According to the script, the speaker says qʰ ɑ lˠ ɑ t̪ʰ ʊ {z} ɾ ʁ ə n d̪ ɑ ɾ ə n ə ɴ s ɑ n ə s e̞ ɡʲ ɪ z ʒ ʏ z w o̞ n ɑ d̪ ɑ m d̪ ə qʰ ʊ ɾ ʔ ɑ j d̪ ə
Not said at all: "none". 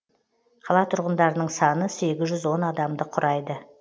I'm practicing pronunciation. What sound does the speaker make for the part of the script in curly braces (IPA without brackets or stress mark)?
none